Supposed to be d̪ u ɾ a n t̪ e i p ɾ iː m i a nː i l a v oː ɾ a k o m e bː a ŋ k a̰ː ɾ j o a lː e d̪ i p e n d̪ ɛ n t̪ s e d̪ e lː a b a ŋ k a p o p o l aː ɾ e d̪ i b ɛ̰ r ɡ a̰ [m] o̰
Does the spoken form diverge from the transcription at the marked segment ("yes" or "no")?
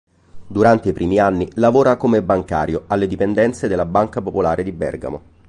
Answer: no